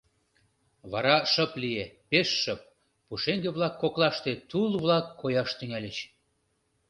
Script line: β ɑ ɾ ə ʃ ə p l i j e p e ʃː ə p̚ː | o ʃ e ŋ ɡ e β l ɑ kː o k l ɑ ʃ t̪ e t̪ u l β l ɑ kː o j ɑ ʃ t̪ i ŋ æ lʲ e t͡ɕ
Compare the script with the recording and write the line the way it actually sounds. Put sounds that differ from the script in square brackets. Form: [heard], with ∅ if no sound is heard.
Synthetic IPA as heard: β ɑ ɾ [ɑ] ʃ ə p l i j e p e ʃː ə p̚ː | [u] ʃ e ŋ ɡ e β l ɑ kː o k l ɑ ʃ t̪ e t̪ u l β l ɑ kː o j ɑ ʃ t̪ [y] ŋ æ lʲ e t͡ɕ